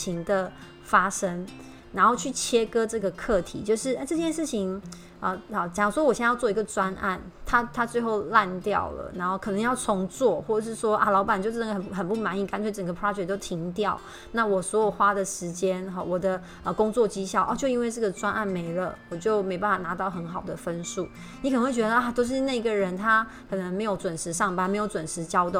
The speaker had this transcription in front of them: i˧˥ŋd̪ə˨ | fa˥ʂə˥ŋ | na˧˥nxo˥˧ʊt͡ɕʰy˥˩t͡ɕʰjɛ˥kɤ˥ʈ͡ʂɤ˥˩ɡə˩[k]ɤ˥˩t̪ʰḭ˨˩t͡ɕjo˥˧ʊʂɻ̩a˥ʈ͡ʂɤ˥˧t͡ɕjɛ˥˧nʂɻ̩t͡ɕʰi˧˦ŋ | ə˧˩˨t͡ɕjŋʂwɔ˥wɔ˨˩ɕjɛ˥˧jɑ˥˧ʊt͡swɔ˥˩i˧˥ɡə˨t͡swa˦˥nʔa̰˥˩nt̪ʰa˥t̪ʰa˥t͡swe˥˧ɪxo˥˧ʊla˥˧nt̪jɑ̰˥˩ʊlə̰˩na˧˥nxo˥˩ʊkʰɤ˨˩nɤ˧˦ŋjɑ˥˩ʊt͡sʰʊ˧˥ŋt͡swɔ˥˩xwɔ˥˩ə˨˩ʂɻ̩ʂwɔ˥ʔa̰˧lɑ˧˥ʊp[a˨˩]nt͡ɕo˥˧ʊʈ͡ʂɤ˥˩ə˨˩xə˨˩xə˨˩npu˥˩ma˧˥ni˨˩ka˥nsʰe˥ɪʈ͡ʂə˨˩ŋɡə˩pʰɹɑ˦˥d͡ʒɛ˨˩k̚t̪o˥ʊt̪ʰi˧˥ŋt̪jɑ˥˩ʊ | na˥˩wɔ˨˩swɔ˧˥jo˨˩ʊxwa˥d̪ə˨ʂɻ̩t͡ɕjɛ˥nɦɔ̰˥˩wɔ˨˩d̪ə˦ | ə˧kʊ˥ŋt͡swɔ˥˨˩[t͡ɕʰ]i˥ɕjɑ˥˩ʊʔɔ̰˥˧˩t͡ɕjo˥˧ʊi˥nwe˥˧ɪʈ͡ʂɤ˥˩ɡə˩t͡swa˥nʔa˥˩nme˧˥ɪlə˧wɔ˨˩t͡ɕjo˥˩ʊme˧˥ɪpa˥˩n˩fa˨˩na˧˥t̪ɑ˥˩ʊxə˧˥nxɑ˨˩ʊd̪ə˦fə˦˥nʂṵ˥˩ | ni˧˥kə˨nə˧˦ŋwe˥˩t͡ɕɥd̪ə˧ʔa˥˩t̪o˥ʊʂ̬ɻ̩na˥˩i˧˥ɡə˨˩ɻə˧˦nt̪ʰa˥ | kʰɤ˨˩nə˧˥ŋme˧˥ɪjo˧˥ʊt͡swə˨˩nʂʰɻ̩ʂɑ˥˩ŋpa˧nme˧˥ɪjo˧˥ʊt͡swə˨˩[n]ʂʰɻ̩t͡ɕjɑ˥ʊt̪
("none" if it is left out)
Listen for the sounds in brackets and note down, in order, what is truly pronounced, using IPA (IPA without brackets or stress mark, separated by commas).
kʰ, a˨˩, t͡ɕ, n